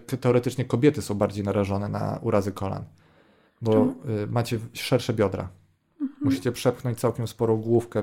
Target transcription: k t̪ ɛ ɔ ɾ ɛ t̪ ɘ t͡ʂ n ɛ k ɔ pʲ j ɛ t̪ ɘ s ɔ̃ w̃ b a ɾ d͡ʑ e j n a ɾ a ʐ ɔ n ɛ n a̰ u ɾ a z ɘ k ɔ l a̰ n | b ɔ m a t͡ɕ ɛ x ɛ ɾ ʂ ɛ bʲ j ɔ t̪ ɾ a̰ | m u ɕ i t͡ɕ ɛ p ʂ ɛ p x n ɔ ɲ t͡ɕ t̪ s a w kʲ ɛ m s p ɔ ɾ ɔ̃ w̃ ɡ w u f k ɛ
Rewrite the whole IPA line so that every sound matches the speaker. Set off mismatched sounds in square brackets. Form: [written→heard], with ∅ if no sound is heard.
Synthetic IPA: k t̪ ɛ ɔ ɾ ɛ t̪ ɘ t͡ʂ [n→ɲ] ɛ k ɔ [pʲ→bʲ] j ɛ t̪ ɘ s ɔ̃ w̃ b a ɾ d͡ʑ e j n a ɾ a ʐ ɔ n ɛ n a̰ u ɾ a z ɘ k ɔ l a̰ n | b ɔ m a t͡ɕ ɛ [x→ʂ] ɛ ɾ ʂ ɛ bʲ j ɔ [t̪→d̪] ɾ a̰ | m u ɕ i t͡ɕ ɛ p ʂ ɛ p x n ɔ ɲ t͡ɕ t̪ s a w kʲ ɛ m s p ɔ ɾ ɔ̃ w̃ ɡ w u f k ɛ